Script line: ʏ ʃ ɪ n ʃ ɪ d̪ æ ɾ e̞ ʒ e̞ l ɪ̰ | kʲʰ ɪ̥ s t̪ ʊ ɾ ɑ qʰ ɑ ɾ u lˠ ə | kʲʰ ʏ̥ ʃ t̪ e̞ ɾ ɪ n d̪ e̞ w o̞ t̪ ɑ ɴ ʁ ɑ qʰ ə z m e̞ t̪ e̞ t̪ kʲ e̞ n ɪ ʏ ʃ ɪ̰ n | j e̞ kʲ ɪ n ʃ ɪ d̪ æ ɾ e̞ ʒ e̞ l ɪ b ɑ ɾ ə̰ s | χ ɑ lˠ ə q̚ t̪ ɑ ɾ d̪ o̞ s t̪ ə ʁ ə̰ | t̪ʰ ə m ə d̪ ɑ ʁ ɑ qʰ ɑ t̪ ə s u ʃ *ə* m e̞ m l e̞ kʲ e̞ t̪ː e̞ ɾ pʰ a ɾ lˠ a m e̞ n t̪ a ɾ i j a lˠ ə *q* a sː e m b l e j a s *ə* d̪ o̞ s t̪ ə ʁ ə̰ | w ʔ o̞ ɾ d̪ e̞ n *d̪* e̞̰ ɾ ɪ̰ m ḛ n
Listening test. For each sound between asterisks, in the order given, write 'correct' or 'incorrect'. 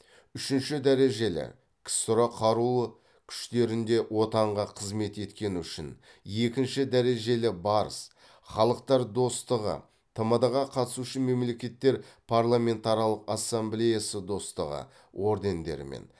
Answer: correct, correct, correct, correct

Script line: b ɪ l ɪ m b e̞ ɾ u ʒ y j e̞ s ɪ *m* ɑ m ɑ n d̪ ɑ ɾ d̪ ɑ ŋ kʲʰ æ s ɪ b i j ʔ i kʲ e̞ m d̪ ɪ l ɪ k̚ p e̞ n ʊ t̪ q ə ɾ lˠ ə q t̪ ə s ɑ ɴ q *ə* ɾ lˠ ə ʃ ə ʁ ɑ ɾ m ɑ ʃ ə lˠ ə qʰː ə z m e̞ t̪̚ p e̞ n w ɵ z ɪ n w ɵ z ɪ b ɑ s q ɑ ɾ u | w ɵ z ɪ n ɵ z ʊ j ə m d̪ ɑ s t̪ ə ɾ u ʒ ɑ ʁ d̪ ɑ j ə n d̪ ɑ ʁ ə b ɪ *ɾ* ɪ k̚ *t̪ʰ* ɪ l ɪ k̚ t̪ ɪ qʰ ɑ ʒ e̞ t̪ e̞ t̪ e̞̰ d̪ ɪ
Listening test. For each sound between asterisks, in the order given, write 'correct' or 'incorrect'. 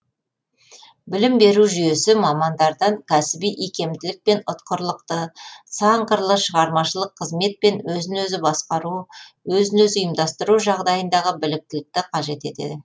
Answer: correct, correct, incorrect, incorrect

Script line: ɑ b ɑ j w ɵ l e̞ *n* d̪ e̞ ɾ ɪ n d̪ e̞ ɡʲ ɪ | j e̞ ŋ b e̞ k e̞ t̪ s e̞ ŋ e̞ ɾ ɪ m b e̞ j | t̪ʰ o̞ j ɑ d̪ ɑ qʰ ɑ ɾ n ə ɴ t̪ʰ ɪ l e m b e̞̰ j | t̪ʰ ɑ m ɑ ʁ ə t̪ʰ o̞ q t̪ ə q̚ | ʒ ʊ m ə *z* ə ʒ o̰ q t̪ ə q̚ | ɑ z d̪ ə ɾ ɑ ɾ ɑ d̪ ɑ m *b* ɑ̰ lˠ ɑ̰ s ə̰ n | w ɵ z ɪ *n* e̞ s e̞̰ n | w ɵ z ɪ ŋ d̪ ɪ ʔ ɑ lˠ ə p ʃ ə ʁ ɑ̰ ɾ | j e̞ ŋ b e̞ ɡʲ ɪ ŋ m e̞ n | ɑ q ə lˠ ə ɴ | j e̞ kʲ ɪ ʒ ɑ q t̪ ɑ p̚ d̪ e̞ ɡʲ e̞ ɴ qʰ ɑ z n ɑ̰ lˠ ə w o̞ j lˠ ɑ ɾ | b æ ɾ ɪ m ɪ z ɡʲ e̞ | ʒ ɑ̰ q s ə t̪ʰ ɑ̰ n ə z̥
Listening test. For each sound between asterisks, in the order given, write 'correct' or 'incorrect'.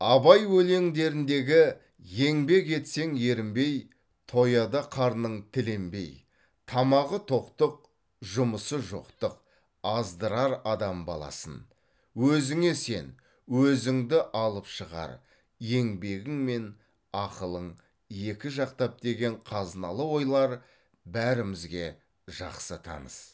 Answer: incorrect, incorrect, correct, incorrect

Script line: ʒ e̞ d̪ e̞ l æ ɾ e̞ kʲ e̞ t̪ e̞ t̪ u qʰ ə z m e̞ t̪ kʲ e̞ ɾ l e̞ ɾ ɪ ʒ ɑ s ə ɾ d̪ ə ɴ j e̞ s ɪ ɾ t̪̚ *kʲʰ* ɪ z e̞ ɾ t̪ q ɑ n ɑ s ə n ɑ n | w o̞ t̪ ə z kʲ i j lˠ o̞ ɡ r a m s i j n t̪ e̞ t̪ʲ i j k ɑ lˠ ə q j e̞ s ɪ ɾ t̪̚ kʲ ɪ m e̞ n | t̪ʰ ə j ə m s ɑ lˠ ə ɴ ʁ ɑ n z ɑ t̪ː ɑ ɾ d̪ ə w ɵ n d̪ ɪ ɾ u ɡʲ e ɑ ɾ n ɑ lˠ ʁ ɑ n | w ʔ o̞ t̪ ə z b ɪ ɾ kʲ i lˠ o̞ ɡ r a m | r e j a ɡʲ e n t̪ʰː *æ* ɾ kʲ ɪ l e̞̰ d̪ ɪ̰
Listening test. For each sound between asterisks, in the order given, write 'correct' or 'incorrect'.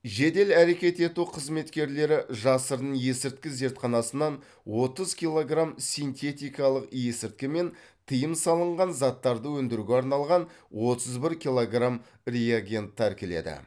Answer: incorrect, correct

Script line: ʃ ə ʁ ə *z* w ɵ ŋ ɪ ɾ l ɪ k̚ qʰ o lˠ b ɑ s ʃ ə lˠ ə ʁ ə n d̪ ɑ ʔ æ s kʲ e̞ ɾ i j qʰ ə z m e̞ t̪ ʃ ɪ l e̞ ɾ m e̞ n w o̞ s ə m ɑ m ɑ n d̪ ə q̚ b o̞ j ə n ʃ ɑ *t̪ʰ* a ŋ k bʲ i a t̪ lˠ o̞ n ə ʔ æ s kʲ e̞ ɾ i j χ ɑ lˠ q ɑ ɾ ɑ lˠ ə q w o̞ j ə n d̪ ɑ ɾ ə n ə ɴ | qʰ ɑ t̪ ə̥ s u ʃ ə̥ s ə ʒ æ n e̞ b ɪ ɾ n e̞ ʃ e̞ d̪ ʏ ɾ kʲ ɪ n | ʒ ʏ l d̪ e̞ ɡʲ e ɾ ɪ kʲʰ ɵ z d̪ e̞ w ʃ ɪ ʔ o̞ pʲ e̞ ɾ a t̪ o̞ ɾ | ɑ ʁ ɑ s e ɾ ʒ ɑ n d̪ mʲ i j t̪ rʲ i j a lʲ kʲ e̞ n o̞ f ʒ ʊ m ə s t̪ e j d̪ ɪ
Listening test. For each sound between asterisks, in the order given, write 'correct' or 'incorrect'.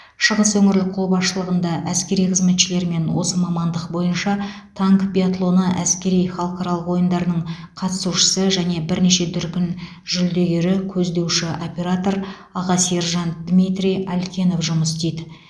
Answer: incorrect, correct

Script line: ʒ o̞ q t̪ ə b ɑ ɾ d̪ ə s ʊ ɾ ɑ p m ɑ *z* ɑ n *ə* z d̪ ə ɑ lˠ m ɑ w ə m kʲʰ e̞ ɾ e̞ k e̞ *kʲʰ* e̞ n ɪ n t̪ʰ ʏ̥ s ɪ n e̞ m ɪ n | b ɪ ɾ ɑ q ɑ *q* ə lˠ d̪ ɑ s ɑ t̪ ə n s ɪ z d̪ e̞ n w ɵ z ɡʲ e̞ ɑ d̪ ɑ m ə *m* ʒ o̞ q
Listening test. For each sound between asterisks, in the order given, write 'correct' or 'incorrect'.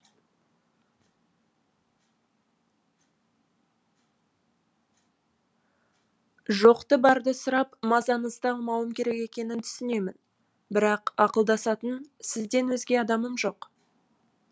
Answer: correct, correct, incorrect, correct, correct

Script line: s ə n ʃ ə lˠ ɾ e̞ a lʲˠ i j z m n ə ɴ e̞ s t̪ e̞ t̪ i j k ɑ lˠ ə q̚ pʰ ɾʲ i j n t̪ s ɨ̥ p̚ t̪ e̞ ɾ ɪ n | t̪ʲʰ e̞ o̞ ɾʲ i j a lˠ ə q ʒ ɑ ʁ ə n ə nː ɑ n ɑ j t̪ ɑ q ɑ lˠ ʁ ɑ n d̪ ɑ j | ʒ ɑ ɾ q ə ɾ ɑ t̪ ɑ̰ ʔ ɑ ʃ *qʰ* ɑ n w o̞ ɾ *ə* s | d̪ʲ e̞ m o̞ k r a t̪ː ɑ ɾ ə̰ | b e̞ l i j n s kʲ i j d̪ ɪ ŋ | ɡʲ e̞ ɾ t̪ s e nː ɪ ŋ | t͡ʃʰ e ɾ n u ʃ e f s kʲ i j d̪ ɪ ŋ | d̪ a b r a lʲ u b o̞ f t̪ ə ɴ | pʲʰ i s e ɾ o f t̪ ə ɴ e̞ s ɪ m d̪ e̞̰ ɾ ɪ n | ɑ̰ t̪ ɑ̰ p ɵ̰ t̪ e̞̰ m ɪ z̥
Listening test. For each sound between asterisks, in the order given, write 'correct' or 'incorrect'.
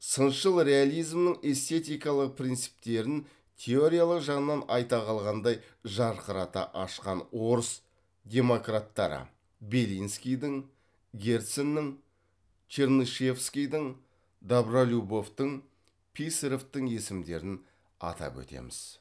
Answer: incorrect, correct

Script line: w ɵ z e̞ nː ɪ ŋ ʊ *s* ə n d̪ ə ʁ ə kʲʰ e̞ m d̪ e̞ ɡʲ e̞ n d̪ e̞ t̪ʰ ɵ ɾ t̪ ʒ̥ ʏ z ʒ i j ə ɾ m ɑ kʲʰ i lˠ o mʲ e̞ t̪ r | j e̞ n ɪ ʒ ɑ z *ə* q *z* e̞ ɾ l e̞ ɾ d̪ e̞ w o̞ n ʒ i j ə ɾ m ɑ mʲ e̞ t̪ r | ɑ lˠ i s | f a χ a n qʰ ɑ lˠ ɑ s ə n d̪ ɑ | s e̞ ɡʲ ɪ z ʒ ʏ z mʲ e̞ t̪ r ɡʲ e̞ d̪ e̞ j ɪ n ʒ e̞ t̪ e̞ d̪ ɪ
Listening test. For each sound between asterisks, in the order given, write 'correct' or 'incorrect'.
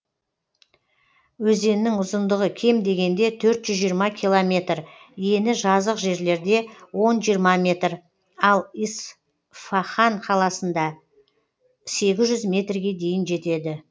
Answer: incorrect, correct, incorrect

